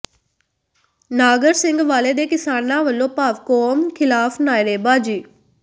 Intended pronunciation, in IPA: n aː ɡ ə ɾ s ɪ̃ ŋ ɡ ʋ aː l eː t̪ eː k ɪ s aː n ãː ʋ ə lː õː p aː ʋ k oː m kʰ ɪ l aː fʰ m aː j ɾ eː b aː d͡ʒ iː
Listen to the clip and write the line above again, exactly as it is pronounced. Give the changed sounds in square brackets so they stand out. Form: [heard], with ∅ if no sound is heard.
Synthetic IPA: n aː ɡ ə ɾ s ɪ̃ ŋ ɡ ʋ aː l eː [d̪] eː k ɪ s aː n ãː ʋ ə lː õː p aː ʋ k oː m kʰ ɪ l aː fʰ [n] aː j ɾ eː b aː d͡ʒ iː